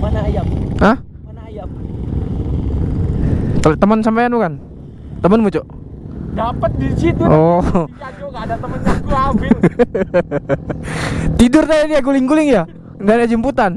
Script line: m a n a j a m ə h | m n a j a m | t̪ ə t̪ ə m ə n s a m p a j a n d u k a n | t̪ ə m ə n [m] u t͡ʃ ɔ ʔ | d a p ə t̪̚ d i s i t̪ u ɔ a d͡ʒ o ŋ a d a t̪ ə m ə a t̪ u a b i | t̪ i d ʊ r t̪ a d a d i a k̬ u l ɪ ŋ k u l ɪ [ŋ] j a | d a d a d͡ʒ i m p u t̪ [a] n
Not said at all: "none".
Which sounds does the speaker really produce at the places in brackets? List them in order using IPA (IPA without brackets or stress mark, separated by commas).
m, ŋ, a